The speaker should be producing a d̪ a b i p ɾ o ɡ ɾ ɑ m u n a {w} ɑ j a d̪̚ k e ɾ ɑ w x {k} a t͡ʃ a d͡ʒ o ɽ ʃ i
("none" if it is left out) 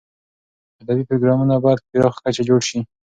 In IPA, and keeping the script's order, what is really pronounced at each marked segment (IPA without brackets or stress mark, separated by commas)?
b, k